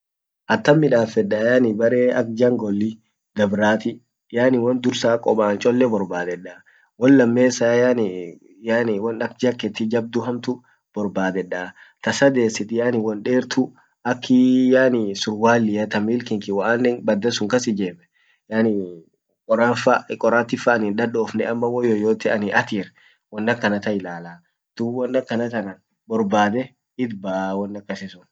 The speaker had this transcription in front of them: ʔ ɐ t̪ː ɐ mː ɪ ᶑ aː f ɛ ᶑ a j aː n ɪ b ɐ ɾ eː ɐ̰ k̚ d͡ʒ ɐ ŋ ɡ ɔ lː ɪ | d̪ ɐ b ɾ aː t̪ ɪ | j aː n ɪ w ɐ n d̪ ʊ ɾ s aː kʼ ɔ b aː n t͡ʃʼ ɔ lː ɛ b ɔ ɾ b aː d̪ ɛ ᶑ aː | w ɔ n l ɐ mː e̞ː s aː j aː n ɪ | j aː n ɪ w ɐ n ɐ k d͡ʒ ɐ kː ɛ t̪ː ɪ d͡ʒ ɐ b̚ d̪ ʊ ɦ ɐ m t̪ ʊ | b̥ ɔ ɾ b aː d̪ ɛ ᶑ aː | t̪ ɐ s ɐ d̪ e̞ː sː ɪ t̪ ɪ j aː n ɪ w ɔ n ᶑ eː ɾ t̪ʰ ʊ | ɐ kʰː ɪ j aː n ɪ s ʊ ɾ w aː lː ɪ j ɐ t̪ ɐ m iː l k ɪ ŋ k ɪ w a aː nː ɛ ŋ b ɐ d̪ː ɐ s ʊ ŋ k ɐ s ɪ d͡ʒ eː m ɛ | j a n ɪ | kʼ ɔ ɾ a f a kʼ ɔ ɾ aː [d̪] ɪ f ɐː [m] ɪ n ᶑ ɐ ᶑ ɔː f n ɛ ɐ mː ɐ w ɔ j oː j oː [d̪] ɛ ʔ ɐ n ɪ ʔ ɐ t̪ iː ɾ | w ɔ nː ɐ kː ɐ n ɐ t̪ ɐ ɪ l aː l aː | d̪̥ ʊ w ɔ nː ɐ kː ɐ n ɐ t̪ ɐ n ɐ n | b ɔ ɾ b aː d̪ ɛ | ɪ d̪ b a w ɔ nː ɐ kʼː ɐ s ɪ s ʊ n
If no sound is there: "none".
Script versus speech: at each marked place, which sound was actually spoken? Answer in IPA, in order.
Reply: t̪, n, t̪

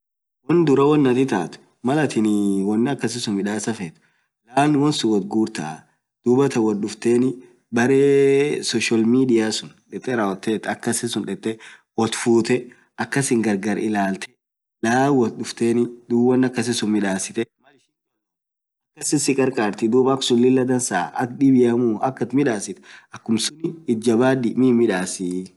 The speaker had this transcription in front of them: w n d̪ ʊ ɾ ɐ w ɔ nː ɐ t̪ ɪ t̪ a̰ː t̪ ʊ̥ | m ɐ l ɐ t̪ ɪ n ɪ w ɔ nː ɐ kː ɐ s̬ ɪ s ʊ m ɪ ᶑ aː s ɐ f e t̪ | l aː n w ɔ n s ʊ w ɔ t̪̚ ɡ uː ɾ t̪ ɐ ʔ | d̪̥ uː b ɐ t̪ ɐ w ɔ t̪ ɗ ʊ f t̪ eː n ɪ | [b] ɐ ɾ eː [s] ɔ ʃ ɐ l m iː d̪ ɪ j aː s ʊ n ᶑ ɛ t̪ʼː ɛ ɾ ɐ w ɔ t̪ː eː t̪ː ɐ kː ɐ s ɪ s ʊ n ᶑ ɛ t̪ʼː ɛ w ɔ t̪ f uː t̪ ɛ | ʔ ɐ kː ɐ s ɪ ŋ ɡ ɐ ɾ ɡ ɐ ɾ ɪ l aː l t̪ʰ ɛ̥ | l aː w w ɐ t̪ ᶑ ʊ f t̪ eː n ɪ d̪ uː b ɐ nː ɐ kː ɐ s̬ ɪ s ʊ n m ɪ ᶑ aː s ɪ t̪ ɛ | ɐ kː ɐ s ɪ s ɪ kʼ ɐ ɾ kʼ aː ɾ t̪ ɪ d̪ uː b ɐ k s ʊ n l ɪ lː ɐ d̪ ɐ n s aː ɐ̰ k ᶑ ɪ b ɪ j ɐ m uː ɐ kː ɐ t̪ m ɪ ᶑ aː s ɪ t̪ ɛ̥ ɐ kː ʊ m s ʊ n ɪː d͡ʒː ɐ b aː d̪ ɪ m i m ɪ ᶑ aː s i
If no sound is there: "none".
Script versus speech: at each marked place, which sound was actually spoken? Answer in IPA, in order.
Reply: b, s

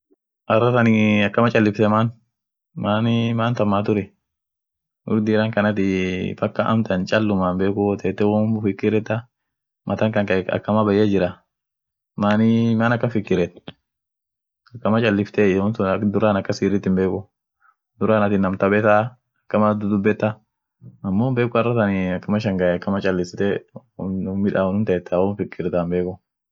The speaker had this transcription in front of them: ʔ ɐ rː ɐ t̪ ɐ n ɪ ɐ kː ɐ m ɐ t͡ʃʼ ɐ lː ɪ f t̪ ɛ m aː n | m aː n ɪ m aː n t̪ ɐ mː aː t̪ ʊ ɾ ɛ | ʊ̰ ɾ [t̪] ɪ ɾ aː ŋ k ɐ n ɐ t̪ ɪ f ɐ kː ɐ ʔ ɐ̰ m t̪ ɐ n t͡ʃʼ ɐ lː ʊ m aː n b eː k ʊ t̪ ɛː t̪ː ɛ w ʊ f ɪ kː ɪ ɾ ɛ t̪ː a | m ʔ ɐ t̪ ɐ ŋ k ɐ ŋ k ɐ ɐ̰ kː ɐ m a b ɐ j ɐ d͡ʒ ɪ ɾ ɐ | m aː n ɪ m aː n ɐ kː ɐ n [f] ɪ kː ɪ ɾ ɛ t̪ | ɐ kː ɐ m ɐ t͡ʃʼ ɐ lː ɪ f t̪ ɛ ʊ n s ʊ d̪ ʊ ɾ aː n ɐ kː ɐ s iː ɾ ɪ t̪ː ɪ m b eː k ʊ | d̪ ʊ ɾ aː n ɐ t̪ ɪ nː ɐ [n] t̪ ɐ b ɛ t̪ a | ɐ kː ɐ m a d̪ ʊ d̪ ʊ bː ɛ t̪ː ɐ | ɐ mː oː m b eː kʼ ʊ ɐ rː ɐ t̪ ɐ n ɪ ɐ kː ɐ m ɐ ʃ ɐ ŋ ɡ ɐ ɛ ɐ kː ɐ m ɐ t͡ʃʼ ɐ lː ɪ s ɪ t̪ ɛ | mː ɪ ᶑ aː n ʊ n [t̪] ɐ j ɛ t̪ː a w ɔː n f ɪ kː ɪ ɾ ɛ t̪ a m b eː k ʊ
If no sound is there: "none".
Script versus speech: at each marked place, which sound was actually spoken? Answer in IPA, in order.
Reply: d̪, f, m, t̪

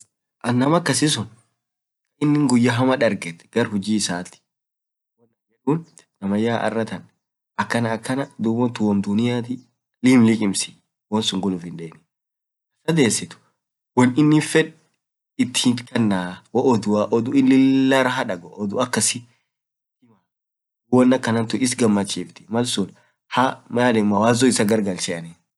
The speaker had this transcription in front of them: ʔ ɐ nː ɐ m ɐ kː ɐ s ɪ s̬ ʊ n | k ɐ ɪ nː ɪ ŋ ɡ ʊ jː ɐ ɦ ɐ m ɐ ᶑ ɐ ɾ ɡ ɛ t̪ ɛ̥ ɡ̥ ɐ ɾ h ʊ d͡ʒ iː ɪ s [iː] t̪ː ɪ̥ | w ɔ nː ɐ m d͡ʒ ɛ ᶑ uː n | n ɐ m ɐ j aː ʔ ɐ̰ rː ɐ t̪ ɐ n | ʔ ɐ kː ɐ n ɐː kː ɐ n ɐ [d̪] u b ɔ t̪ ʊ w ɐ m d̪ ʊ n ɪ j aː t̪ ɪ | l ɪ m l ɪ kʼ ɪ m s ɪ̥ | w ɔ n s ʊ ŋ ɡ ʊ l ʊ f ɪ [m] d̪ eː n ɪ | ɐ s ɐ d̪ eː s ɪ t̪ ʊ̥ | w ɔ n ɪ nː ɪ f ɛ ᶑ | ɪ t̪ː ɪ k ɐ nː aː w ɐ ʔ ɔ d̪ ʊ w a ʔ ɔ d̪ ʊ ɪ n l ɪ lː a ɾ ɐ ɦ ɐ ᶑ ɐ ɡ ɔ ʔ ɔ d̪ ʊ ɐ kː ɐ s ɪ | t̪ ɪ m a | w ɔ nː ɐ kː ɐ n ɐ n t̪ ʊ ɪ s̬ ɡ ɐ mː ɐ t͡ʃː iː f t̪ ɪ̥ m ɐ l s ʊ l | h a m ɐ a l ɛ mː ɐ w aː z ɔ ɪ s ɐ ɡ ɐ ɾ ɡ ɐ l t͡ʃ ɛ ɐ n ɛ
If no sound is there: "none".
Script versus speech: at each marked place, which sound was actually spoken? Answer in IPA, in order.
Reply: aː, d̪, n

